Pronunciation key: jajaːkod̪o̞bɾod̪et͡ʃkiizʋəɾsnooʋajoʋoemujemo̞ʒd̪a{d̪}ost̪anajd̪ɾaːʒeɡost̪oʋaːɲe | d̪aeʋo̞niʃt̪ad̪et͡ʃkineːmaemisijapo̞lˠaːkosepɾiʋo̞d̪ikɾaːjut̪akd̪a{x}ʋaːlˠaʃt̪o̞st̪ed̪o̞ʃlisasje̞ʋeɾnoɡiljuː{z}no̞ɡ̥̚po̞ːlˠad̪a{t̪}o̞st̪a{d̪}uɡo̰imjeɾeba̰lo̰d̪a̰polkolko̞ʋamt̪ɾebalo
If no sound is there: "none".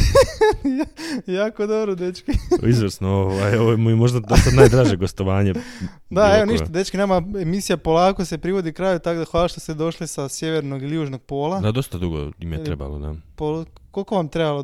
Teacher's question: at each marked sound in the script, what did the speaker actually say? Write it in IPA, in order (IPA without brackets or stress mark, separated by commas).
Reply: d̪, x, ʒ, d̪, d̪